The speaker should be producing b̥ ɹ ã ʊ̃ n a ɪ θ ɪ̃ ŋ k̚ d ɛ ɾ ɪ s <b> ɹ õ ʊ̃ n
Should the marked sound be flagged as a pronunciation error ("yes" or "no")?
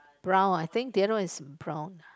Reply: no